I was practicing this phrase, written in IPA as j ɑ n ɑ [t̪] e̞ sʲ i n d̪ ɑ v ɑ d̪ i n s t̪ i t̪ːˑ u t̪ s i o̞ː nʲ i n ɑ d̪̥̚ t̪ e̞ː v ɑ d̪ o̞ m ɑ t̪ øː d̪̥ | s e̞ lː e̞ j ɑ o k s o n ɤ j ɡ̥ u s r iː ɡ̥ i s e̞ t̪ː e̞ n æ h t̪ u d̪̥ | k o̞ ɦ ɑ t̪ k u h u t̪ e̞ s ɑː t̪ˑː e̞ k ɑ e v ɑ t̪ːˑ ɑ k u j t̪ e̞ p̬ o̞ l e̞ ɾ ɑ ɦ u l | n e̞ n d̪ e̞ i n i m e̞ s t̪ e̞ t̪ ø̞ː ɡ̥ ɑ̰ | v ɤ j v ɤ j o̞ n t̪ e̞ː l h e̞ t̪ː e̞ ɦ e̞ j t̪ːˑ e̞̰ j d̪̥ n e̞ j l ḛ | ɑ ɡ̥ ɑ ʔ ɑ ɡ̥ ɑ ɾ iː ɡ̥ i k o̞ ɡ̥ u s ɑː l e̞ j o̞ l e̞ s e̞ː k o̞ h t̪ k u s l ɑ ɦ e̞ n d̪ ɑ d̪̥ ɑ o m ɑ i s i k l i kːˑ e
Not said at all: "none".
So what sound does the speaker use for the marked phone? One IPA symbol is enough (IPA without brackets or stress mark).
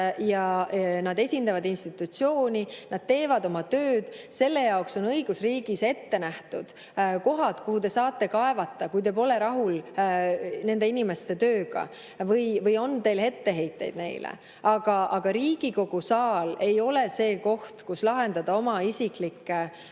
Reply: d̪